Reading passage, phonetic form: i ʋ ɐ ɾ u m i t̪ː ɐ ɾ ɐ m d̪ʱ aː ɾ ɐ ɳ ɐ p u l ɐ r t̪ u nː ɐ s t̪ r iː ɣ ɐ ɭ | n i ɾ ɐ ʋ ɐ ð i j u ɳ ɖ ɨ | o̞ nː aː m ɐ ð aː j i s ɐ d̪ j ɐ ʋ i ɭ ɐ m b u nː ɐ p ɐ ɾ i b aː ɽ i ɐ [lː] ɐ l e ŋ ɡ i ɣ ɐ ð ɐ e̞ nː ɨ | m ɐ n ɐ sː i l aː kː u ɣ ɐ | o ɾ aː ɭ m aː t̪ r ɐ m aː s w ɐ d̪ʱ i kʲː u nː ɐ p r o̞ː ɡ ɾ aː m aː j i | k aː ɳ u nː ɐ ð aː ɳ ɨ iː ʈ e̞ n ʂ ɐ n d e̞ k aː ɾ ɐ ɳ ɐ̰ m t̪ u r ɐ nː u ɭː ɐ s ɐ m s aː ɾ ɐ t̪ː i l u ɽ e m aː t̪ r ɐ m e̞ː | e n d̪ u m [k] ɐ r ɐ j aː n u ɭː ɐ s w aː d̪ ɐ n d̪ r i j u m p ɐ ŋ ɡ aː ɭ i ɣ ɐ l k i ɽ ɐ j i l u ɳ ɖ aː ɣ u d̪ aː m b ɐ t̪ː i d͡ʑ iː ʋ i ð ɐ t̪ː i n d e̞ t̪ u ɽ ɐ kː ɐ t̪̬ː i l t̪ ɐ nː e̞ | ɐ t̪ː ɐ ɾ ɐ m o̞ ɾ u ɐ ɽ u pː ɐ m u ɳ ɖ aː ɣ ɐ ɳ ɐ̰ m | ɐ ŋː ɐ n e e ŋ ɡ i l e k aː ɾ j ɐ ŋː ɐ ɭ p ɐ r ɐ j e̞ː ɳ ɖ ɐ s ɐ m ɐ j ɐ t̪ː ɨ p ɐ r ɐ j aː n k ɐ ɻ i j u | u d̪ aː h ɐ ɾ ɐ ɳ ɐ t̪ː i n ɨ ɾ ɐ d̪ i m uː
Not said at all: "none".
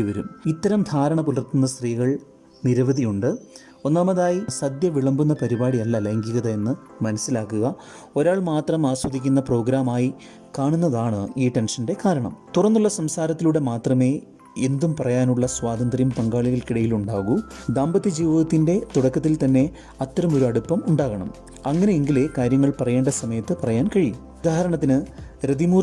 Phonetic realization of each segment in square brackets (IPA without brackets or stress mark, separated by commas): lː, p